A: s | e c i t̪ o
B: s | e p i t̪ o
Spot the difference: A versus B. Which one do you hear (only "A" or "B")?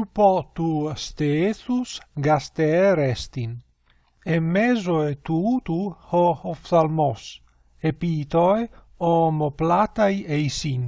B